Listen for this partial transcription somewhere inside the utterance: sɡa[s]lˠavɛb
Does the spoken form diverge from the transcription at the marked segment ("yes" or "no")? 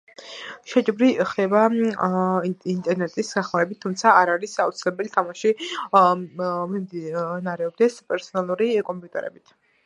yes